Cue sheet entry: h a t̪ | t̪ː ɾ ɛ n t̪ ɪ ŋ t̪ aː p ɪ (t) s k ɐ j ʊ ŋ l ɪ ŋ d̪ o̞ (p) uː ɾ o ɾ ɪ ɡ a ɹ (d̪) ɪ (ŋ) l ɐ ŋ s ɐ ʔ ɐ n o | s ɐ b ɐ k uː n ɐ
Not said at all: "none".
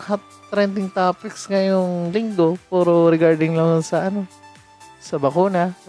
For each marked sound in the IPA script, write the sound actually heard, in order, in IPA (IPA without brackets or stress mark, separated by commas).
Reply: k, p, d̪, ŋ